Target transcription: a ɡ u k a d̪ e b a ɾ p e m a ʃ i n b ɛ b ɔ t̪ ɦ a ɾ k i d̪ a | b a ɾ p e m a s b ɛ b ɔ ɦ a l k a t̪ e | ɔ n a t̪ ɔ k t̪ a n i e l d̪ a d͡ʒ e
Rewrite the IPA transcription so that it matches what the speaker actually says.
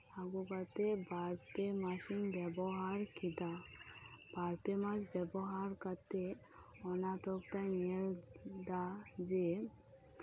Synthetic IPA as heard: a ɡ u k a t̪ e b a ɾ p e m a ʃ i n b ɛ b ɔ ɦ a ɾ k i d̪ a | b a ɾ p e m a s b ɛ b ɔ ɦ a ɾ k a t̪ e | ɔ n a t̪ ɔ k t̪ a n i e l d̪ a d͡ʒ e